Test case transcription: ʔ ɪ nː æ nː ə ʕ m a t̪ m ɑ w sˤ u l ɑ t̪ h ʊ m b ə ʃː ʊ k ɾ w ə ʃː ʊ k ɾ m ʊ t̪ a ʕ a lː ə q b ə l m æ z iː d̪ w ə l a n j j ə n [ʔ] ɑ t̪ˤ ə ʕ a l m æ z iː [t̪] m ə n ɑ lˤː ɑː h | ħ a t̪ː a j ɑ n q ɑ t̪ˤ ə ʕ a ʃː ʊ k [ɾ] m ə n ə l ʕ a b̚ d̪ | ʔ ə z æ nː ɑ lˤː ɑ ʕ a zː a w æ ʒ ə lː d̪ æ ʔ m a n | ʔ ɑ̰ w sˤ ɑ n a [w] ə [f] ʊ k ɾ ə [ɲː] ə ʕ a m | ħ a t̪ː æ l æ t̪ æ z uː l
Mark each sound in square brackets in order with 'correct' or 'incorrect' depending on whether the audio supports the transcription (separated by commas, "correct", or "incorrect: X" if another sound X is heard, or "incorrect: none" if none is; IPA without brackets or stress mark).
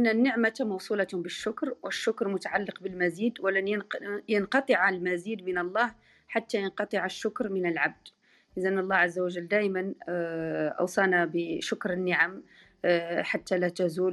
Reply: incorrect: q, incorrect: d̪, correct, incorrect: b, incorrect: ʃ, incorrect: nː